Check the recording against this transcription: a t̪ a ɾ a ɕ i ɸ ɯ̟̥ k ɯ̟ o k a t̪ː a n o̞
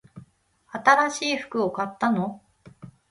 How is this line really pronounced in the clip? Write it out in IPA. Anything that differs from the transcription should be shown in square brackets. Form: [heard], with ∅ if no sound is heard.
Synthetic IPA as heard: a t̪ a ɾ a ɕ [iː] ɸ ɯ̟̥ k ɯ̟ o k a t̪ː a n o̞